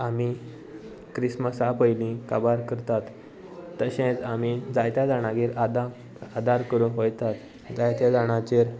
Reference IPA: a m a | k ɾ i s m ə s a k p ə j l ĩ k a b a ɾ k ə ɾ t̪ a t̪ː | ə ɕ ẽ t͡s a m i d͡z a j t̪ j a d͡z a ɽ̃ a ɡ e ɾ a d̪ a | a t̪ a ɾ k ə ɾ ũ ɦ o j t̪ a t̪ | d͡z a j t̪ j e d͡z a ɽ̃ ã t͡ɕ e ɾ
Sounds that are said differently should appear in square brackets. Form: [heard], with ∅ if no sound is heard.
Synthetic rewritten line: a m [i] | k ɾ i s m ə s a [∅] p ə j l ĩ k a b a ɾ k ə ɾ t̪ a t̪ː | ə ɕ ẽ t͡s a m i d͡z a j t̪ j a d͡z a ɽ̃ a ɡ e ɾ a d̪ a | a [d̪] a ɾ k ə ɾ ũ ɦ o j t̪ a t̪ | d͡z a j t̪ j [a] d͡z a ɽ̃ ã t͡ɕ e ɾ